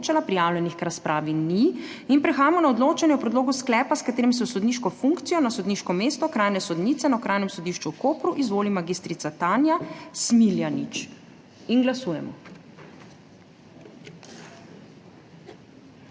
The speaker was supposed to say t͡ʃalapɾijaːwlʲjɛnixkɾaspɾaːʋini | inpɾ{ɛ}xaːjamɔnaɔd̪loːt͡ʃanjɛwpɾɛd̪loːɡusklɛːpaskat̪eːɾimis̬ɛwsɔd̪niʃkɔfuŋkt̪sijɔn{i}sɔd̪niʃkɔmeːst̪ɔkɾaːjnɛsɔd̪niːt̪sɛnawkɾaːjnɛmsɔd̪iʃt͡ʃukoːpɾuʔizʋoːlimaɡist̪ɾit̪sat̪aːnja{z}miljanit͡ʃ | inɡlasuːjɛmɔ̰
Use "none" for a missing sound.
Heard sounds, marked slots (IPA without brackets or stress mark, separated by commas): ɛ, a, s